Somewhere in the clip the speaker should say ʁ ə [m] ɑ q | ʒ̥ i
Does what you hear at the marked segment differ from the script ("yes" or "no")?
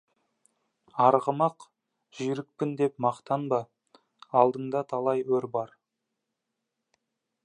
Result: no